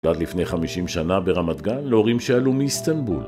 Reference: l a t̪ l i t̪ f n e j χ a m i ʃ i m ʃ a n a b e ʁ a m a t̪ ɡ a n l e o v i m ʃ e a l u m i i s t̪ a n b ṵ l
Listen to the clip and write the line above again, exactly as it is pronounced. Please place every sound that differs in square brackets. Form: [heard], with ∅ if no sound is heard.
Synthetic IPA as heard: l a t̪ l i [∅] f n e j χ a m i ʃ i m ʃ a n a b e ʁ a m a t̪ ɡ a n l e o [ʁ] i m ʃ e a l u m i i s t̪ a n b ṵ l